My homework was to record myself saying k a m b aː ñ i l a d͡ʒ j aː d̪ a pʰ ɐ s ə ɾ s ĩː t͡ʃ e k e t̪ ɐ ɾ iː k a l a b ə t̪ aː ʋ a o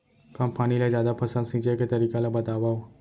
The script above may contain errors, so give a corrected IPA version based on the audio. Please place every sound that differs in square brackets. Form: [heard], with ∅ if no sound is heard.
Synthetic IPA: k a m [p] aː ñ i l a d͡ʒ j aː d̪ a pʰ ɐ s ə [l] s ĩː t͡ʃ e k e t̪ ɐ ɾ iː k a l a b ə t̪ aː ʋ a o